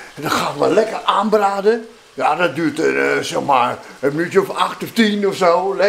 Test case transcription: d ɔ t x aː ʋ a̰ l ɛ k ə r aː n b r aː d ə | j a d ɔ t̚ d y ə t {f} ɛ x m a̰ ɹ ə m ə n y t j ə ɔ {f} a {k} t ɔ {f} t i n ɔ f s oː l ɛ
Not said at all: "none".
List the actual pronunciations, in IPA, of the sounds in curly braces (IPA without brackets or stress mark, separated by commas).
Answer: s, f, x, f